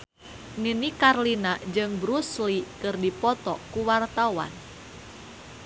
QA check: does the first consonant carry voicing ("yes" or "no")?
yes